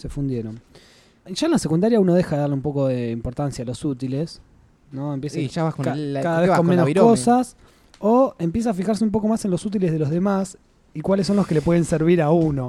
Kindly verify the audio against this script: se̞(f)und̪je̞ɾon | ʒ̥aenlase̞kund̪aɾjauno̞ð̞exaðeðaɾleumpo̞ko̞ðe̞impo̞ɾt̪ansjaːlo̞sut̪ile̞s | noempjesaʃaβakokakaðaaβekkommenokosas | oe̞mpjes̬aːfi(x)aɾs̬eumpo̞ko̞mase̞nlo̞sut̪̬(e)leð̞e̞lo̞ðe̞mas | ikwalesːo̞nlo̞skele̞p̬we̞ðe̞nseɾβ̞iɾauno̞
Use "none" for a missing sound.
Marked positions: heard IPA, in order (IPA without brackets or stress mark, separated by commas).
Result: f, x, i